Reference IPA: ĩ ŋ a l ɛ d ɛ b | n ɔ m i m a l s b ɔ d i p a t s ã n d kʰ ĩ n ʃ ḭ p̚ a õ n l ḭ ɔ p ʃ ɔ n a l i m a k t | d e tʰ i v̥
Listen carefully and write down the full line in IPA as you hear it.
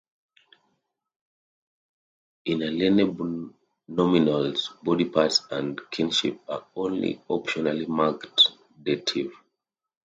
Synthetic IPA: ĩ n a l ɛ n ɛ b | n ɔ m i n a l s b ɔ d i p a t s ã n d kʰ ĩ n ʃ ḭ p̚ a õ n l ḭ ɔ p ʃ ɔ n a l i m a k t | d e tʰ i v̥